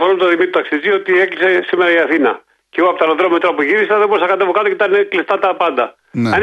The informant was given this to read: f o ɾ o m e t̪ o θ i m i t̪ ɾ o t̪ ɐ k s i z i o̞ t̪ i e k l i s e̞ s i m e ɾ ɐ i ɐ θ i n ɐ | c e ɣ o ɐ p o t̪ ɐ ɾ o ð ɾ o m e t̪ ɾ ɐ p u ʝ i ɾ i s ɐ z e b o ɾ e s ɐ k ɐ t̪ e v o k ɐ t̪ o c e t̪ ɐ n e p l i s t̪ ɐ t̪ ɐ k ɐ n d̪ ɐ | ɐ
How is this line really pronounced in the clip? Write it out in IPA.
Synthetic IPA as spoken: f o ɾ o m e t̪ o ð i m i t̪ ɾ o t̪ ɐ k s i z i o̞ t̪ i e k l i s e̞ s i m e ɾ ɐ i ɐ θ i n ɐ | c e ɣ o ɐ p o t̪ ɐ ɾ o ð ɾ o m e t̪ ɾ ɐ p u ʝ i ɾ i s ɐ ð e b o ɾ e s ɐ k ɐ t̪ e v o k ɐ t̪ o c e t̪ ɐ n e k l i s t̪ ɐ t̪ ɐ p ɐ n d̪ ɐ | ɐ